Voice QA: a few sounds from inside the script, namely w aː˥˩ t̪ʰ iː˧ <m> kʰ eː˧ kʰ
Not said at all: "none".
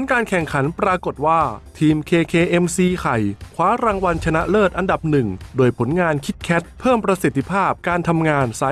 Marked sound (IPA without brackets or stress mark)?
m